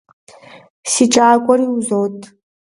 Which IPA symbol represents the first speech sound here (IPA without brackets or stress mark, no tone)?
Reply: s